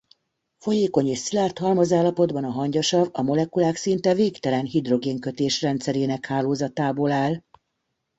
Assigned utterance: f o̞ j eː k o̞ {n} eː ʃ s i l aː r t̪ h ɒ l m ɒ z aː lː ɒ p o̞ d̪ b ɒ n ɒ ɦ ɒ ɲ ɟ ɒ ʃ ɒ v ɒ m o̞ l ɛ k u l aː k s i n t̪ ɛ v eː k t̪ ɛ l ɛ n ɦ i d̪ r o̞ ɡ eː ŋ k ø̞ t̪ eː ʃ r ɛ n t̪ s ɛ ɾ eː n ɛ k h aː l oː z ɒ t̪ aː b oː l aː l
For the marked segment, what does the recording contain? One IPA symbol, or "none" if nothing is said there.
ɲ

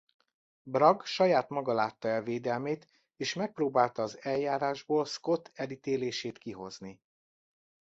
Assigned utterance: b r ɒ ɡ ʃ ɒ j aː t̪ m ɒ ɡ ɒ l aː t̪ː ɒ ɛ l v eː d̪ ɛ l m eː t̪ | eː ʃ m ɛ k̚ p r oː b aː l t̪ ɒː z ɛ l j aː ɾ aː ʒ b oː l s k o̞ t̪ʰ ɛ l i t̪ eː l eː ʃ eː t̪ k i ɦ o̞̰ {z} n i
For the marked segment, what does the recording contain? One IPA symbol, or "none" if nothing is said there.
z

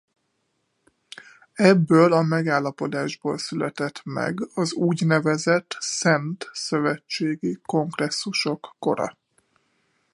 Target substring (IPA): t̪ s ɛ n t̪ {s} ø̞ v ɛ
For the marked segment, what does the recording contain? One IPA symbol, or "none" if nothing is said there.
s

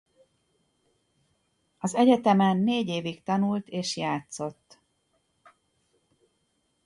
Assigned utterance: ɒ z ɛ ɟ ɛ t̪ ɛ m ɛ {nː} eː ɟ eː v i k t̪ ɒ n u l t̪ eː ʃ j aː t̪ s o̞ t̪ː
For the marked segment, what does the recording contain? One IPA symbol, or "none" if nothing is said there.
nː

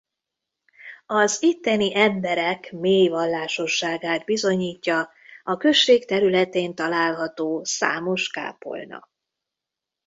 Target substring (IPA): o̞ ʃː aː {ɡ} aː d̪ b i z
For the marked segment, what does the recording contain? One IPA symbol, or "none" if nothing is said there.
ɡ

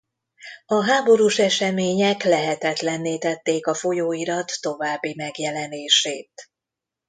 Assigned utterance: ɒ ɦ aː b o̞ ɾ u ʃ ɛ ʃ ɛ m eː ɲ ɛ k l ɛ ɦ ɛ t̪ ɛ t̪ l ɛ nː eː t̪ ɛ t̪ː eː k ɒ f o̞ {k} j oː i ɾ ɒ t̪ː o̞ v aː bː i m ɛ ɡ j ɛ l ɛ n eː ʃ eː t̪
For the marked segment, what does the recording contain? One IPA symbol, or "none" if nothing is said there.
none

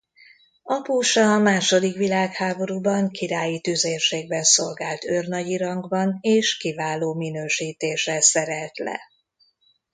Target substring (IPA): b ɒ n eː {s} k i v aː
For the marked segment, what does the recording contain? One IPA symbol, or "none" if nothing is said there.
ʃ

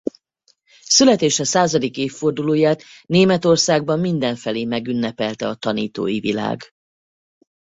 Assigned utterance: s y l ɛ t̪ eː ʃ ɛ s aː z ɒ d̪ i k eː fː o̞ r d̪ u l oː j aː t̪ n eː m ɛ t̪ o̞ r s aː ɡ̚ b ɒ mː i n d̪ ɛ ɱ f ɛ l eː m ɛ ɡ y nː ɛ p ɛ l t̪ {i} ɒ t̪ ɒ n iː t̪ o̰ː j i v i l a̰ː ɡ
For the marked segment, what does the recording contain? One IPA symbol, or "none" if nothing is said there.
ɛ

